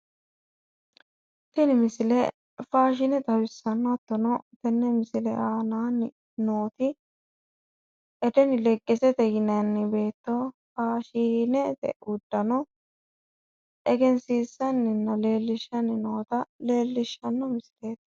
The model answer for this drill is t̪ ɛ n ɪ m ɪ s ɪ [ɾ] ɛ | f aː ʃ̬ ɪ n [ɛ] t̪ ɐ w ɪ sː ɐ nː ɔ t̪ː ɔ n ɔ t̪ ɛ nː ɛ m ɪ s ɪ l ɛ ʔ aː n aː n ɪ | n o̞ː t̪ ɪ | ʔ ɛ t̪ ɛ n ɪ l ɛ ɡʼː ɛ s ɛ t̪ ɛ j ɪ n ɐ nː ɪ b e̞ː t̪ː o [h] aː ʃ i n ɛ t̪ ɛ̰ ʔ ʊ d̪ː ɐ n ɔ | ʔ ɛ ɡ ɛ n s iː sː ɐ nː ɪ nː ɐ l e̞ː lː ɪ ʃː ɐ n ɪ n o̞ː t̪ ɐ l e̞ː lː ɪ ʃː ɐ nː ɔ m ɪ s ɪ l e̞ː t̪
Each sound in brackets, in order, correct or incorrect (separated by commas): incorrect, correct, incorrect